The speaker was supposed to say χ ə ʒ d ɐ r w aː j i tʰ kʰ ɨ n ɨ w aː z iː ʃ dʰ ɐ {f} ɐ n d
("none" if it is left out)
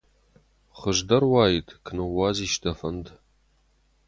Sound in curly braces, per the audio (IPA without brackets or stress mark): f